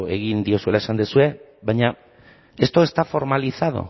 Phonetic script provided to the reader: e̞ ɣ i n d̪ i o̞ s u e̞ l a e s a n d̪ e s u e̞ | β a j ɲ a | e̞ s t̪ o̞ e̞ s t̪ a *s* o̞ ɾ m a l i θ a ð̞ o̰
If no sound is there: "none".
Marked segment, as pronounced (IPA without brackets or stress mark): f